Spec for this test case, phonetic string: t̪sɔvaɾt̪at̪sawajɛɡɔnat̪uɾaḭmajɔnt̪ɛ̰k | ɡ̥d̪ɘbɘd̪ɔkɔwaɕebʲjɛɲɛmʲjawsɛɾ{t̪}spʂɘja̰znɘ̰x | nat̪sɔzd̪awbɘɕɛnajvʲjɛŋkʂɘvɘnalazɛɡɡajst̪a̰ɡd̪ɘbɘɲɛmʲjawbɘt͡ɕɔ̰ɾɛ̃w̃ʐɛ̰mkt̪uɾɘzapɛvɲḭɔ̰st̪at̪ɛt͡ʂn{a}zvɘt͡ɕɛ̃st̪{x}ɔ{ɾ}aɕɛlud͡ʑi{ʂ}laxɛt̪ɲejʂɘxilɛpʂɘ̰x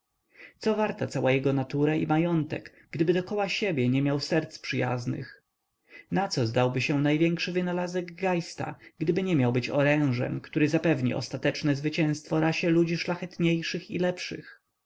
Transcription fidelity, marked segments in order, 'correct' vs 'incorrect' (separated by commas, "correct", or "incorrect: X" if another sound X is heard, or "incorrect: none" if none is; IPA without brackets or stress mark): correct, incorrect: ɛ, incorrect: f, correct, correct